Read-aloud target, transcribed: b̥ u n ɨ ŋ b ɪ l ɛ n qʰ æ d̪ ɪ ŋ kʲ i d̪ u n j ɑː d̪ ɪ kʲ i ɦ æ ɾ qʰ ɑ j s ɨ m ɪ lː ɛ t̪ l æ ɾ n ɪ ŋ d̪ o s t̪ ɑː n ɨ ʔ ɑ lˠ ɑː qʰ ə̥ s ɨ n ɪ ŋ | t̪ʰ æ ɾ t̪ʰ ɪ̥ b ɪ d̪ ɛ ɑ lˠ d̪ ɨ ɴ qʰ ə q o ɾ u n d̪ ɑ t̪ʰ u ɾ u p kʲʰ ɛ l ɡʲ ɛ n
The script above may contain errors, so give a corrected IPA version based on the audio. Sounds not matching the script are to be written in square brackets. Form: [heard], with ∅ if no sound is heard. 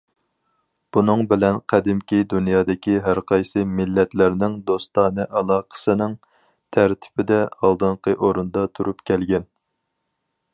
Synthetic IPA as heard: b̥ u n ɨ ŋ b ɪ l ɛ n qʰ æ d̪ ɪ [m] kʲ i d̪ u n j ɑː d̪ ɪ kʲ i ɦ æ ɾ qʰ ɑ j s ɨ m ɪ lː ɛ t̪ l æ ɾ n ɪ ŋ d̪ o s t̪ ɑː n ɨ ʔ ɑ lˠ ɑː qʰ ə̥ s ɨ n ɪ ŋ | t̪ʰ æ ɾ t̪ʰ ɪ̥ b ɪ d̪ ɛ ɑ lˠ d̪ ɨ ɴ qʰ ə [ʔ] o ɾ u n d̪ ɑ t̪ʰ u ɾ u p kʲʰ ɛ l ɡʲ ɛ n

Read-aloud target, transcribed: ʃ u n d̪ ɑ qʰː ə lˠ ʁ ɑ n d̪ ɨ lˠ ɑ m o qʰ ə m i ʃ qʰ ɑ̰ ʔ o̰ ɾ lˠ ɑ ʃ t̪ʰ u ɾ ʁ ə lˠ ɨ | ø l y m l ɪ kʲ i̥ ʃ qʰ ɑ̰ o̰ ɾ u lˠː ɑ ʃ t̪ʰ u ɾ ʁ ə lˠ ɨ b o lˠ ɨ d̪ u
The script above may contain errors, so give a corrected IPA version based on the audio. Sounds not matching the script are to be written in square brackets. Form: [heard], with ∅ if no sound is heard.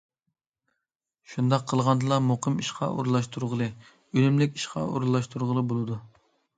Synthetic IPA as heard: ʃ u n d̪ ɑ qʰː ə lˠ ʁ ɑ n d̪ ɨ lˠ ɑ m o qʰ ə m i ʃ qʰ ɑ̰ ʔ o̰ ɾ lˠ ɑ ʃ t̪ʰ u ɾ ʁ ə lˠ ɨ | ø l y m l ɪ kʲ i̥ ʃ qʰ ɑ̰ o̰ ɾ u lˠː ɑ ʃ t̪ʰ u ɾ ʁ ə lˠ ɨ b o lˠ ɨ d̪ u

